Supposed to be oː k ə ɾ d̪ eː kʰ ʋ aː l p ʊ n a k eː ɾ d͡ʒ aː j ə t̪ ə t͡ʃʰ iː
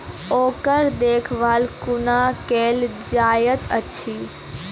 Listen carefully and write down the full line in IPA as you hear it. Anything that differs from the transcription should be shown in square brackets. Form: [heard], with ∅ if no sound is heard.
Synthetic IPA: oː k ə ɾ d̪ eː kʰ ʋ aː l [k] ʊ n a k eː [l] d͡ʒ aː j ə t̪ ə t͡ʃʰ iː